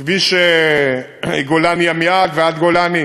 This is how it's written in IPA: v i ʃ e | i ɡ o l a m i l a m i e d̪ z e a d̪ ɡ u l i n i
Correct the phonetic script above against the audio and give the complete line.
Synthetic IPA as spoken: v i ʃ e | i ɡ o l a n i a m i a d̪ v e a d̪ ɡ o l a n i